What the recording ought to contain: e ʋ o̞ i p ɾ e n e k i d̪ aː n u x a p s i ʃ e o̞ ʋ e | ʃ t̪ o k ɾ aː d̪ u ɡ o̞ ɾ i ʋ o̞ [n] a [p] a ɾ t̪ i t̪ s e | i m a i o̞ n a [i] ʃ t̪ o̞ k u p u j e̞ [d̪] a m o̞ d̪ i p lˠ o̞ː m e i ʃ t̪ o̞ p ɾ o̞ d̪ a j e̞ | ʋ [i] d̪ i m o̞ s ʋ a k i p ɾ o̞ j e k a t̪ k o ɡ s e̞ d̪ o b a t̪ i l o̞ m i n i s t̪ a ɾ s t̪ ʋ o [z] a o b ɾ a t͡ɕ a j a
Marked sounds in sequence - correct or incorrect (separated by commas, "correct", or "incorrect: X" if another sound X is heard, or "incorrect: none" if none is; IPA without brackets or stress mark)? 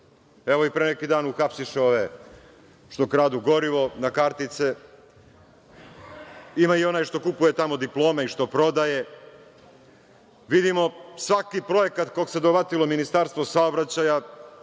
correct, incorrect: k, incorrect: j, incorrect: t̪, correct, incorrect: s